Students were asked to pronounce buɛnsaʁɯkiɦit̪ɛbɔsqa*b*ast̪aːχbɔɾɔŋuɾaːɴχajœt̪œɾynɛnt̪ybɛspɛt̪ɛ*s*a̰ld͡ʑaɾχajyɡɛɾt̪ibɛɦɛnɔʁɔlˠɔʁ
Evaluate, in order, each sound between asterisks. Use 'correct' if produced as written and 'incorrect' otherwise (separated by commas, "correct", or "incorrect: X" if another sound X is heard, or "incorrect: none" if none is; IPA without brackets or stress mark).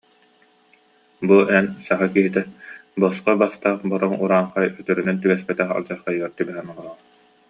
correct, incorrect: χ